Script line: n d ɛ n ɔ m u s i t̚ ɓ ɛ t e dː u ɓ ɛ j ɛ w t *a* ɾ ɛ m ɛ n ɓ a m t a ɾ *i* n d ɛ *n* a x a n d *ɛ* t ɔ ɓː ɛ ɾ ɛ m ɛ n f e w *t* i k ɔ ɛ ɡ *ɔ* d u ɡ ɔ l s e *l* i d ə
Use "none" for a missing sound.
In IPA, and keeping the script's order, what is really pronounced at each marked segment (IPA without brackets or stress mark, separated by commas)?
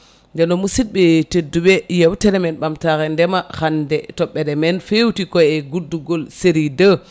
ɛ, ɛ, m, ɛ, t, u, ɾ